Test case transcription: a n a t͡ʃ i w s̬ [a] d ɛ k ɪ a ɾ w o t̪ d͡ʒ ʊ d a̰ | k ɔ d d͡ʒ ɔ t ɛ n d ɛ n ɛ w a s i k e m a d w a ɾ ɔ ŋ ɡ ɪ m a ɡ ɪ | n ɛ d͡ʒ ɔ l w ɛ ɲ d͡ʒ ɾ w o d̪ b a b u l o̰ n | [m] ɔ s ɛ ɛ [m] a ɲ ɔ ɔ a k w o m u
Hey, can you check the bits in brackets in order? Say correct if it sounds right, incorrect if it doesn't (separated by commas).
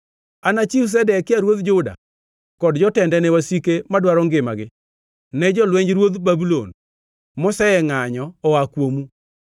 incorrect, correct, incorrect